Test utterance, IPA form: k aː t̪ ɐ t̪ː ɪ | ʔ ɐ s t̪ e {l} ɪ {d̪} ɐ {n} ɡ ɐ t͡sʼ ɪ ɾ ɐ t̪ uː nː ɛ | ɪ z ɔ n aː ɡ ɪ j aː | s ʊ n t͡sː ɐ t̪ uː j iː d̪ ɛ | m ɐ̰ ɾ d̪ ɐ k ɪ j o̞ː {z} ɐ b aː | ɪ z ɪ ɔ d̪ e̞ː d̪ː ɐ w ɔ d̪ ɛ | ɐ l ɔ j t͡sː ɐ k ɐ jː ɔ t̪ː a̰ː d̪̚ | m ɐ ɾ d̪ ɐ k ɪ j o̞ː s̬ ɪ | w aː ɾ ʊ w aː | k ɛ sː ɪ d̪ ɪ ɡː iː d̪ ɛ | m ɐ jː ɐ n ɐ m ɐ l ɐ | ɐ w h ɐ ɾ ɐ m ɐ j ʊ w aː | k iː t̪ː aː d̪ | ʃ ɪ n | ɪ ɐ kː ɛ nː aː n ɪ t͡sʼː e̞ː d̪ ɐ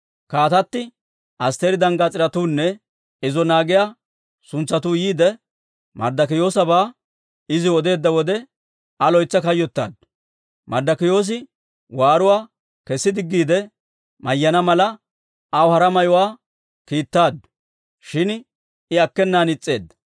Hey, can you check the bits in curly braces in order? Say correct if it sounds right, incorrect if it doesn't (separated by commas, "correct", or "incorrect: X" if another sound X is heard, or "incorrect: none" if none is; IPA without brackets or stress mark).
incorrect: ɾ, correct, incorrect: ŋ, incorrect: s